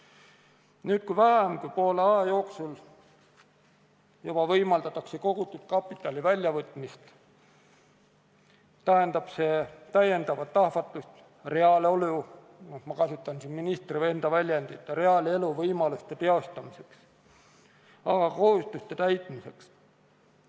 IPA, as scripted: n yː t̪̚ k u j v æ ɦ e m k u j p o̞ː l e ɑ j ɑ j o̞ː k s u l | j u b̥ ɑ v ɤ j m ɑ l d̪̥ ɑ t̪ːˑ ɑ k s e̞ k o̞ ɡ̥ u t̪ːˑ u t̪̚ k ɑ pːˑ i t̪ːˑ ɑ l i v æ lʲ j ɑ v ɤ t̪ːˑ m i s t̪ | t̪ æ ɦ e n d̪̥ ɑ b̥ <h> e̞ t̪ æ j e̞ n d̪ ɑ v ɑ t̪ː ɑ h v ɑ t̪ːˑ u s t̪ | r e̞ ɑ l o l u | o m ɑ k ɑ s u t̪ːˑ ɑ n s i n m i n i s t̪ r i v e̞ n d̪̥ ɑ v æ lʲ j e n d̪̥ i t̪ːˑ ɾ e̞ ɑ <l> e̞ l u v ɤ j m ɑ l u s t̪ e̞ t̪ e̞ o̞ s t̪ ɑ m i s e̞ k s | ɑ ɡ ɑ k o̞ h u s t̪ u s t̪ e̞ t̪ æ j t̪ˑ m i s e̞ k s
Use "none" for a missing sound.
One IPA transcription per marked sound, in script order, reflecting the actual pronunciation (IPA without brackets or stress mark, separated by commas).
s, l